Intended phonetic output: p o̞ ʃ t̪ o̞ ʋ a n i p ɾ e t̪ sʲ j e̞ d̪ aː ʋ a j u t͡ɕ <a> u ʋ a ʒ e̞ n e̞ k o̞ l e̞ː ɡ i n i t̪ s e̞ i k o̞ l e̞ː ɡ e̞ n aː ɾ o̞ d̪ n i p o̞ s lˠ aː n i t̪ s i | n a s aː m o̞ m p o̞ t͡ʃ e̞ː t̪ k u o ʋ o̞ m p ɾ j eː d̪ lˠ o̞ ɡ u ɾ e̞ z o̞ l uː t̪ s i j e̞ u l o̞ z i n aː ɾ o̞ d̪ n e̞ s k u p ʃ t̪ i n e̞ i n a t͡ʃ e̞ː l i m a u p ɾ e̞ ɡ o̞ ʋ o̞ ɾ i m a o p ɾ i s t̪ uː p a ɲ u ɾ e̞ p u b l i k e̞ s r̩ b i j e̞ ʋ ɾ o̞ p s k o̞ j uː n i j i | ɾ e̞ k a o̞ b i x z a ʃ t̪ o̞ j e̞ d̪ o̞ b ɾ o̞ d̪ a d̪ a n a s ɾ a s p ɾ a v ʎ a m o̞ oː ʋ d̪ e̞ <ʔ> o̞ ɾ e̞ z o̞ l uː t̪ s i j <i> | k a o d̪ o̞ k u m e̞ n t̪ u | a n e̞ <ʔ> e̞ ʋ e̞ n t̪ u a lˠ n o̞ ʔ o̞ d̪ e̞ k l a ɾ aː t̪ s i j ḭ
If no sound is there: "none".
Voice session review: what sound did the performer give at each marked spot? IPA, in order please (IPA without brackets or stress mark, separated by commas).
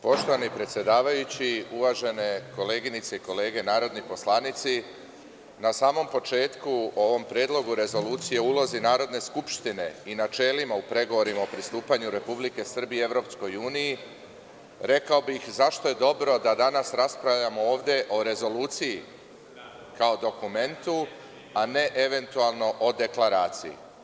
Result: i, ʔ, i, ʔ